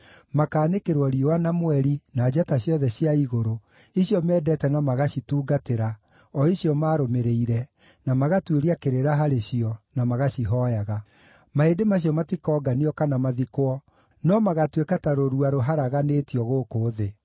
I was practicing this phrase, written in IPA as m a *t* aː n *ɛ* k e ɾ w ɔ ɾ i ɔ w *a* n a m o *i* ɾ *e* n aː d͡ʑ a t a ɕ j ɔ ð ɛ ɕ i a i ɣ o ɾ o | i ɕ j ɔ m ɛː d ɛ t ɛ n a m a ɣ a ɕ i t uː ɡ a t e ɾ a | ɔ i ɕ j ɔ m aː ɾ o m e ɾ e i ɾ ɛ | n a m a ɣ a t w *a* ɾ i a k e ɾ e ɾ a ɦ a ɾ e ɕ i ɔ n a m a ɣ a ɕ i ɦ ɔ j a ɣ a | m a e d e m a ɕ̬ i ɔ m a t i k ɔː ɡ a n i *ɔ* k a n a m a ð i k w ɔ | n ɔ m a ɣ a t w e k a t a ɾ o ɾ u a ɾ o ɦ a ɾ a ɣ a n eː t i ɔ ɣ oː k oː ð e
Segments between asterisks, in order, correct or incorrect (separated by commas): incorrect, incorrect, correct, incorrect, incorrect, incorrect, correct